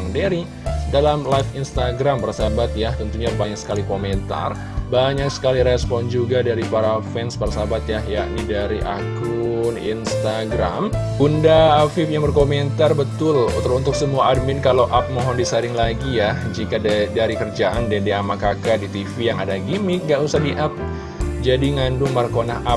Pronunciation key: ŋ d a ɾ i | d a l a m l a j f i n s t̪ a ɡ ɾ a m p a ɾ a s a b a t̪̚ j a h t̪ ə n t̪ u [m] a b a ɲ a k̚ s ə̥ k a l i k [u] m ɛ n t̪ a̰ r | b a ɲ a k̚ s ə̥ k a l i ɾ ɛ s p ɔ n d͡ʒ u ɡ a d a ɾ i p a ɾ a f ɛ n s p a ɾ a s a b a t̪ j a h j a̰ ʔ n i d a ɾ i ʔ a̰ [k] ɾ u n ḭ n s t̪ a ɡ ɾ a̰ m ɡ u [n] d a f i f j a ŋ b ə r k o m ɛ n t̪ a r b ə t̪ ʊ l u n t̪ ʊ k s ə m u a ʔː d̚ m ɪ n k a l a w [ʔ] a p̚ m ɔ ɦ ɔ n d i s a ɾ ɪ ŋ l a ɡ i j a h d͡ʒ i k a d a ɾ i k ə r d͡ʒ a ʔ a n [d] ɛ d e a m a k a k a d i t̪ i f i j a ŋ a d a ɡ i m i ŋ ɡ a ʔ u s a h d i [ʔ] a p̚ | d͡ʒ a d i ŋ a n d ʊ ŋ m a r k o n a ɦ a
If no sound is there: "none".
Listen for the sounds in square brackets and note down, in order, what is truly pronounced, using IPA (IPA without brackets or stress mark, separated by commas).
ɲ, o, k, n, ʔ, d, ʔ